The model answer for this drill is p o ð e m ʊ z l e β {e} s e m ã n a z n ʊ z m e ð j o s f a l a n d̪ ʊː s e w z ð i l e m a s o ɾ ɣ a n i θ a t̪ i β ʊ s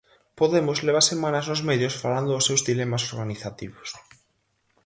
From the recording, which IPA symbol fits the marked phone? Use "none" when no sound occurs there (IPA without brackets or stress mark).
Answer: a